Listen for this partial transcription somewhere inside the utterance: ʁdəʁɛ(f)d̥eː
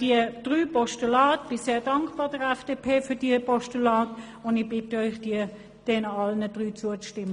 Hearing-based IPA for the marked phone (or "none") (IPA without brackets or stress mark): f